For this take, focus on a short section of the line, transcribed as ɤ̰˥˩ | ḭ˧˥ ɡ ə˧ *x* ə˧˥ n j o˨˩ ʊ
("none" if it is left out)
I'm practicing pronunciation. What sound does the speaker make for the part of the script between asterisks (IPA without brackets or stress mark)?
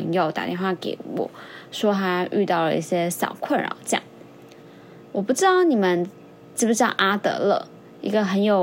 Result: x